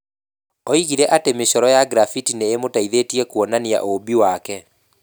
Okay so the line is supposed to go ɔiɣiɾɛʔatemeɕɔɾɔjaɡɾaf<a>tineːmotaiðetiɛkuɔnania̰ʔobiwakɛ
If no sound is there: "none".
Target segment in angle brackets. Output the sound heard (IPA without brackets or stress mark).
i